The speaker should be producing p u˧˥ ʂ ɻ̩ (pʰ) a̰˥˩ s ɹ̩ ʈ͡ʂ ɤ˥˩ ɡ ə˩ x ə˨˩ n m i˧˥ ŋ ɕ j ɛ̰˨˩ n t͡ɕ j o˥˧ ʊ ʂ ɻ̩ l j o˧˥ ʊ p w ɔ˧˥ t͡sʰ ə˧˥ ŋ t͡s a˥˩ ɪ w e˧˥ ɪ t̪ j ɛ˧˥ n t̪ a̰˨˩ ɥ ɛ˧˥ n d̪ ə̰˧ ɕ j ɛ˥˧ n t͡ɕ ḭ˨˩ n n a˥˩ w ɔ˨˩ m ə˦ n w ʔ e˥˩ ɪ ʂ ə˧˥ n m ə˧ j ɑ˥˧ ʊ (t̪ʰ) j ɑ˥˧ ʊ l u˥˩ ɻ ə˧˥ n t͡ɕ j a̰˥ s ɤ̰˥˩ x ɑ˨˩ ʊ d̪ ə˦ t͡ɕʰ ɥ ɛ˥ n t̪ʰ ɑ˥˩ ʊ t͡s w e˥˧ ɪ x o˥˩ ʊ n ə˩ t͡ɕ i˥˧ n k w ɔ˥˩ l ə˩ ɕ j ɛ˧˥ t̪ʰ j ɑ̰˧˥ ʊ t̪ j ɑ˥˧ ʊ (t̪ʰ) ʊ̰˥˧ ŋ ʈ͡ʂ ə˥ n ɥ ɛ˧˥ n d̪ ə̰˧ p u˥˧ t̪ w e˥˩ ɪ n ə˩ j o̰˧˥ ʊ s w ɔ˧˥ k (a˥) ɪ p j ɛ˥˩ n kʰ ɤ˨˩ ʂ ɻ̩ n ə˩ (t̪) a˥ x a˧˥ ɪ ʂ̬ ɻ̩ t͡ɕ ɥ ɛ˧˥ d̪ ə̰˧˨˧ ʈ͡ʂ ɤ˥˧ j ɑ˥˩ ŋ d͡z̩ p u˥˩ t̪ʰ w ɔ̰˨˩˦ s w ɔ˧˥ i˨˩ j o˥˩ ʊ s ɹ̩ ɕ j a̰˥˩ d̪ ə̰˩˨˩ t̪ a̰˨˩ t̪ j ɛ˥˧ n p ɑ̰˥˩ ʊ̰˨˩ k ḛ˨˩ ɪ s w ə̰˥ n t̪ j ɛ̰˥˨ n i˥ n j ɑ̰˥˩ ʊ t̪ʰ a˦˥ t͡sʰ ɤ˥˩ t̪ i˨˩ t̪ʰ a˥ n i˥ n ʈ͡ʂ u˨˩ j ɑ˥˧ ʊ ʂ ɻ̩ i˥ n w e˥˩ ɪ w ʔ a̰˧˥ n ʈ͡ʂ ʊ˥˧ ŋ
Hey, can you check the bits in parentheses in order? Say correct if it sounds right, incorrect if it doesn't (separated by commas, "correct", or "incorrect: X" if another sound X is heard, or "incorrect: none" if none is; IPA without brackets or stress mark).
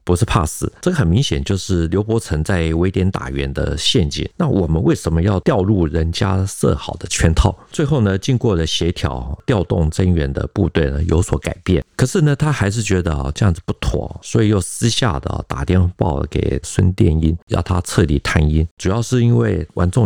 correct, incorrect: t̪, incorrect: t̪, incorrect: a˨˩, incorrect: t̪ʰ